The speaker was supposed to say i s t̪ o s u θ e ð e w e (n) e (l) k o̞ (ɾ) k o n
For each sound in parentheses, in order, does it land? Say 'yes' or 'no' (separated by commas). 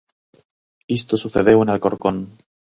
yes, yes, yes